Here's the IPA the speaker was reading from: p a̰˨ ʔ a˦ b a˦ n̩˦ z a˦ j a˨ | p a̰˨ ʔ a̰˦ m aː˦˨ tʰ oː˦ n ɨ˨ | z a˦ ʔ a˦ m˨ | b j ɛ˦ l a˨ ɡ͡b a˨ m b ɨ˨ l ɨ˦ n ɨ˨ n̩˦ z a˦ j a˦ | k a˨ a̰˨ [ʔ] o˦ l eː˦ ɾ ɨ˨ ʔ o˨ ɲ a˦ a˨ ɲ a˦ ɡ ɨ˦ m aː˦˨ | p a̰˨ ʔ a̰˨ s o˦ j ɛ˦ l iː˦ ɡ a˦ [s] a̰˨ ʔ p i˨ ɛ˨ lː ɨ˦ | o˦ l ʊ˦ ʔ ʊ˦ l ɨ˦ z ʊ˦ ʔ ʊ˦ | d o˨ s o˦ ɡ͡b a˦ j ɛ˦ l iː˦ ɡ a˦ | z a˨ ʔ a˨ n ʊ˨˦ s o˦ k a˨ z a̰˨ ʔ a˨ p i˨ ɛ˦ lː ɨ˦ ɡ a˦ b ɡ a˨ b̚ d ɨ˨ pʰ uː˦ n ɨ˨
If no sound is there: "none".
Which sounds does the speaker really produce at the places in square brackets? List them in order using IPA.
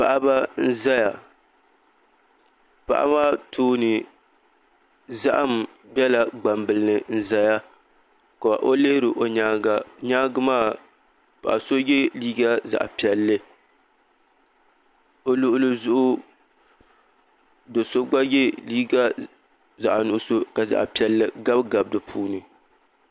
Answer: ʔ, z

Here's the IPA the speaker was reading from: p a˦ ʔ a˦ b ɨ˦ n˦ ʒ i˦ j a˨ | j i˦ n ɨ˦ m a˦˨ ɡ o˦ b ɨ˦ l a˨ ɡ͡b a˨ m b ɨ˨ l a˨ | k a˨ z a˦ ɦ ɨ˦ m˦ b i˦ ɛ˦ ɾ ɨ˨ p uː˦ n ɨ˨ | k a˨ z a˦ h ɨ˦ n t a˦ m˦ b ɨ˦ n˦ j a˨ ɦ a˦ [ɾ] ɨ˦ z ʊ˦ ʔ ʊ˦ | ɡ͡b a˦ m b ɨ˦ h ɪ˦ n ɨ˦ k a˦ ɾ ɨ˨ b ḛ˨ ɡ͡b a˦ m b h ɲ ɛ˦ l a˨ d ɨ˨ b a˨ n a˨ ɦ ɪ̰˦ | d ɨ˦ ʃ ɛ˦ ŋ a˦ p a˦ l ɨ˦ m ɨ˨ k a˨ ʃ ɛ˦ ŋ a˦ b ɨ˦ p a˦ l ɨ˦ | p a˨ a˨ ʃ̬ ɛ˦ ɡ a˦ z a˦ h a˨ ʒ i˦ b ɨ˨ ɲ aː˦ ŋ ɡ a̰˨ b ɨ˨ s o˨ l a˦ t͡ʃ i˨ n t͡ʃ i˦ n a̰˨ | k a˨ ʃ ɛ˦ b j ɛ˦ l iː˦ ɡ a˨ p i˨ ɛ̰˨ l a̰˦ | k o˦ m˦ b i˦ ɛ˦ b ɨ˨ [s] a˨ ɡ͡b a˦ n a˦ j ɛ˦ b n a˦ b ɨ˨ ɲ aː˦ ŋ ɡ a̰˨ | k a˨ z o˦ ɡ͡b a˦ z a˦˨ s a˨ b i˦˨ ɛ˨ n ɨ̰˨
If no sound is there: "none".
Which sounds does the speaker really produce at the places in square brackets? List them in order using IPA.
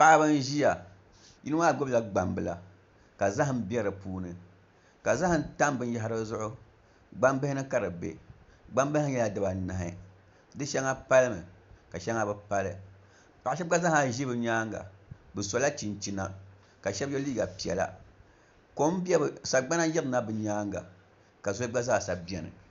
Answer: ɾ, s

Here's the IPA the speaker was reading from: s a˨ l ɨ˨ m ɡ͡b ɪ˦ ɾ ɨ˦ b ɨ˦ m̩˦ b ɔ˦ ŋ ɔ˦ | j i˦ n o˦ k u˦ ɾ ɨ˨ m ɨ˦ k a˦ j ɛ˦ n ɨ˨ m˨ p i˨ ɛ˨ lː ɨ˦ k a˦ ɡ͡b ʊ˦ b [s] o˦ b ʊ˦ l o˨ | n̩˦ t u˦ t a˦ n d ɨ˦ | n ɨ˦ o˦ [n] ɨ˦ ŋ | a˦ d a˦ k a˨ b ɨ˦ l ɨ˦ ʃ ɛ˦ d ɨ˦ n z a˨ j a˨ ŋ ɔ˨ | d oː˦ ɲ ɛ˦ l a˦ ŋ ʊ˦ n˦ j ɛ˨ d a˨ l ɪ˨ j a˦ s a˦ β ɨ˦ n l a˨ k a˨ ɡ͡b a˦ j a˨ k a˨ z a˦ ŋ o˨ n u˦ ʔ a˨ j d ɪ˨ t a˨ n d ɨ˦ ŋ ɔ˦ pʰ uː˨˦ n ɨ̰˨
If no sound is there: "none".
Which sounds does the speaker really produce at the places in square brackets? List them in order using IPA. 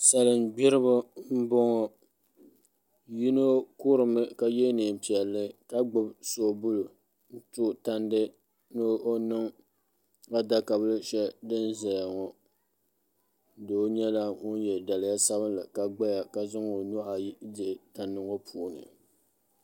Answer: s, n

